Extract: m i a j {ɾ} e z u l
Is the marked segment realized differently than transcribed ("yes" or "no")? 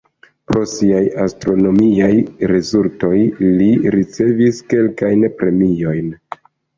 no